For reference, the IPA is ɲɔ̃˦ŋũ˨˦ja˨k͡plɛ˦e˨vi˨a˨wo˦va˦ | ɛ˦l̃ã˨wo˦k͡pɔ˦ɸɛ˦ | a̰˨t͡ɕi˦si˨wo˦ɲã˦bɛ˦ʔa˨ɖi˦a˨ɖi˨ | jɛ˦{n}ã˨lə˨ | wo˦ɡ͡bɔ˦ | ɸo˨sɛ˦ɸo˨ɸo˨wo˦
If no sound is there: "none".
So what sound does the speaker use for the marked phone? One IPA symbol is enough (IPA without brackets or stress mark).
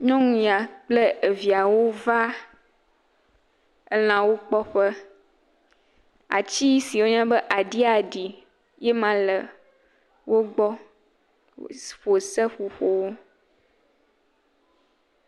m